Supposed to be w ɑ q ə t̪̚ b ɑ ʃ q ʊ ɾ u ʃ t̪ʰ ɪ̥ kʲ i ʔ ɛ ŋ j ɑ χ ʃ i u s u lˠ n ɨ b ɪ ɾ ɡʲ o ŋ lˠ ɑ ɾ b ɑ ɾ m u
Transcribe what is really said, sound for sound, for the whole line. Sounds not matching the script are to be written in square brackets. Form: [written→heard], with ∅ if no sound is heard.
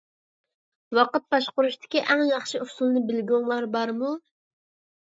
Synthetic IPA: w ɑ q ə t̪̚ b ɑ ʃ q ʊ ɾ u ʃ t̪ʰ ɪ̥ kʲ i ʔ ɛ ŋ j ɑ χ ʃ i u s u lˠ n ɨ b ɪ [ɾ→l] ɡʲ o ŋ lˠ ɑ ɾ b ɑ ɾ m u